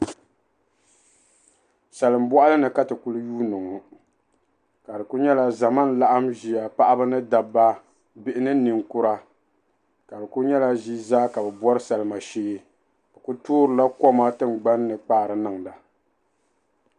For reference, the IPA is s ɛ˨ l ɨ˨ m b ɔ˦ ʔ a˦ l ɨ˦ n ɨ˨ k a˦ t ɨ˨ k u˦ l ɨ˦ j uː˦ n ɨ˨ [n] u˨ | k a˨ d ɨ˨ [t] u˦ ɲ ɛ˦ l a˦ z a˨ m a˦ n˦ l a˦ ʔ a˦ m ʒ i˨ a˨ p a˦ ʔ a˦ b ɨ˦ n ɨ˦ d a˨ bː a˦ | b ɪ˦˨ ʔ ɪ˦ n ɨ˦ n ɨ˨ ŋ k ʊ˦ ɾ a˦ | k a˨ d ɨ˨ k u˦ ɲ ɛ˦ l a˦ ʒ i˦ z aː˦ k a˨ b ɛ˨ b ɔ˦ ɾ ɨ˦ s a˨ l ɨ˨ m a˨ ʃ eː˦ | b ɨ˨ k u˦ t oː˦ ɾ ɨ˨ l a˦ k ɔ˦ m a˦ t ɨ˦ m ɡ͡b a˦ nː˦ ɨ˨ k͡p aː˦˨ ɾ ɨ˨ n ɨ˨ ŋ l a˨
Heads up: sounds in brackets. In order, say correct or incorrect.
incorrect: ŋ, incorrect: k

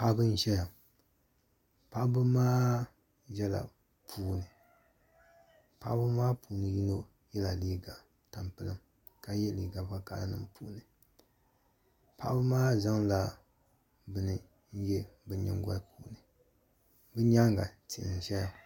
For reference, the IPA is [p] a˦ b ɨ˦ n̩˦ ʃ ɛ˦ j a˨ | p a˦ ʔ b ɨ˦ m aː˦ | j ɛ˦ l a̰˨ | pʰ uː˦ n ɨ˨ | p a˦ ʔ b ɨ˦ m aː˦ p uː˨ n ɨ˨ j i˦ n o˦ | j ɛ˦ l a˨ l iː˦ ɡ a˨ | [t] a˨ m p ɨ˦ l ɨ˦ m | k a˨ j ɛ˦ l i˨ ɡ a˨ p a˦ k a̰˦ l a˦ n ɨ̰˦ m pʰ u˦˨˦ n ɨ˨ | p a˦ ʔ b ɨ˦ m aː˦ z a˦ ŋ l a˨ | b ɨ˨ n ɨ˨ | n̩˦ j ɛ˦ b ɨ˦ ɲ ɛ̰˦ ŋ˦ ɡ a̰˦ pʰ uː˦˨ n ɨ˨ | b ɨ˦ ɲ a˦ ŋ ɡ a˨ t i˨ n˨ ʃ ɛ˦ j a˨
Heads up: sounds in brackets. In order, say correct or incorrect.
correct, correct

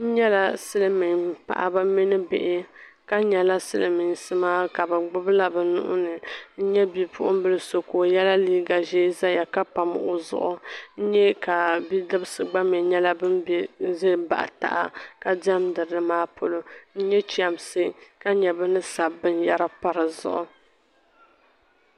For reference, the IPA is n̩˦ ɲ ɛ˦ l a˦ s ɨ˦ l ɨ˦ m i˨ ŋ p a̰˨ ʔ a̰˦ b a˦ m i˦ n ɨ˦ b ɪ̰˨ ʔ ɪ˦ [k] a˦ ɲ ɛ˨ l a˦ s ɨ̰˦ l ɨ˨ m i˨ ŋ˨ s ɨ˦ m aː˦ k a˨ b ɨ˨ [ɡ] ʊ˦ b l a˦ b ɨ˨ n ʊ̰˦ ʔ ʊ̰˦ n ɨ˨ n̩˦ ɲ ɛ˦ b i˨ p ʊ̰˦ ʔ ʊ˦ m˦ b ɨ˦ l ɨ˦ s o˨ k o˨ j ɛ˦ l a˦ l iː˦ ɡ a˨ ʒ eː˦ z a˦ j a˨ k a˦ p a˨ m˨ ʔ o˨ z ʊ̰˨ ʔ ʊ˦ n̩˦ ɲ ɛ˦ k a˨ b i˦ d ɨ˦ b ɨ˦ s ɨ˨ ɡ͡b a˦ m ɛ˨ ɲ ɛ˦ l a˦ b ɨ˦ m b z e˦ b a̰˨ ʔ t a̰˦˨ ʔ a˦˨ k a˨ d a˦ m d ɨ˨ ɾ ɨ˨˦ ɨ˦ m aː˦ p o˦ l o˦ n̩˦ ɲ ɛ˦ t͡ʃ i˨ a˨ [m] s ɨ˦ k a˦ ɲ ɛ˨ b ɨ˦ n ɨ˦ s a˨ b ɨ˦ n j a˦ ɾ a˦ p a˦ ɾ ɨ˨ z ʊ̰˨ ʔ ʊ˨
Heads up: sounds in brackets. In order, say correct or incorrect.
correct, incorrect: ɡ͡b, correct

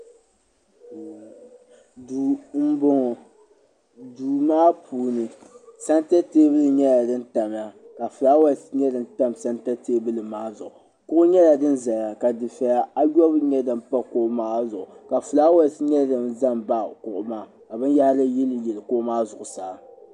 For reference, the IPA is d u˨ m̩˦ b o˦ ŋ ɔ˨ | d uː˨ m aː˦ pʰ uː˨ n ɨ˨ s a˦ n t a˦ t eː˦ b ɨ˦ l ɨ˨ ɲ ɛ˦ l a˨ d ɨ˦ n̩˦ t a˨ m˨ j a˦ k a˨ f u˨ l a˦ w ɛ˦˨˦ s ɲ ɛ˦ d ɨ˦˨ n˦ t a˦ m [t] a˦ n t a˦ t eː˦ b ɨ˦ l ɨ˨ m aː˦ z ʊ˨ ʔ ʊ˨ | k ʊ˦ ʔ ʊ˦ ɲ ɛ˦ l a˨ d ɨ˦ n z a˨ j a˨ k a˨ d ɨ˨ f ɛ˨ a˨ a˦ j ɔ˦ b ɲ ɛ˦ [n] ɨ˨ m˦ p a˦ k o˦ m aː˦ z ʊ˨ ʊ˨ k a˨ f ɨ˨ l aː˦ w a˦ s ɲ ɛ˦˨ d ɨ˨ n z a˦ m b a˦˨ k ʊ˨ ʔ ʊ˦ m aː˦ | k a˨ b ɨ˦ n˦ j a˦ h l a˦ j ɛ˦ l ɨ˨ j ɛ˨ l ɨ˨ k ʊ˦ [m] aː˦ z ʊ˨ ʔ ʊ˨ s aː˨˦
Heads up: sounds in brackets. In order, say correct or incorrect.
incorrect: s, incorrect: d, correct

